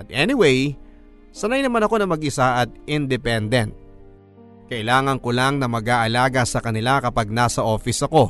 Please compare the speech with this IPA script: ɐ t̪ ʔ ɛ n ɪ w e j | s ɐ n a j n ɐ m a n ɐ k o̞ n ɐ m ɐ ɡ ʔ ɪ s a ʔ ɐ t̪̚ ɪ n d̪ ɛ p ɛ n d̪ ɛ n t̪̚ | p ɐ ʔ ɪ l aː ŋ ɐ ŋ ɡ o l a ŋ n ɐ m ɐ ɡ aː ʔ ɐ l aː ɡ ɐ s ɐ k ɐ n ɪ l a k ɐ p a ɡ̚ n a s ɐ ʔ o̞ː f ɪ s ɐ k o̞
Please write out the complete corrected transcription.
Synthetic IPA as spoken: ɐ t̪ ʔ ɛ n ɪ w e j | s ɐ n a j n ɐ m a n ɐ k o̞ n ɐ m ɐ ɡ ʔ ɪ s a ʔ ɐ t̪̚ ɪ n d̪ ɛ p ɛ n d̪ ɛ n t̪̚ | k ɐ ʔ ɪ l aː ŋ ɐ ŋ k o l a ŋ n ɐ m ɐ ɡ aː ʔ ɐ l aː ɡ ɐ s ɐ k ɐ n ɪ l a k ɐ p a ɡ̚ n a s ɐ ʔ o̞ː f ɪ s ɐ k o̞